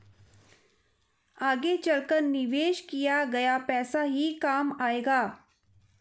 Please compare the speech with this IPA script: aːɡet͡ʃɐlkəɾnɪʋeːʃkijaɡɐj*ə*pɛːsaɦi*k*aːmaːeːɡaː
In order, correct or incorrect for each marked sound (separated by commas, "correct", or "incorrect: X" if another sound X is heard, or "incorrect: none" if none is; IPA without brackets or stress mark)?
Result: incorrect: a, correct